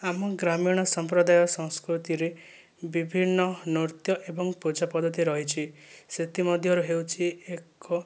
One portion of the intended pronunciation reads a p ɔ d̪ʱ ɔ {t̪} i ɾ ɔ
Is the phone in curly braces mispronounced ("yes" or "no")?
no